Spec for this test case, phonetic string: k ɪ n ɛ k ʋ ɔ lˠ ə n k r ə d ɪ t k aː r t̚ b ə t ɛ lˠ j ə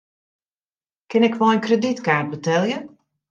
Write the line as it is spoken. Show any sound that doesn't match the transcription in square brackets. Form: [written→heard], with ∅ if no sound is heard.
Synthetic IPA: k ɪ n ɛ k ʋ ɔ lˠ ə n k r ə d [ɪ→i] t k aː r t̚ b ə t ɛ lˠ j ə